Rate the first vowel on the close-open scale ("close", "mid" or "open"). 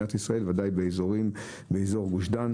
open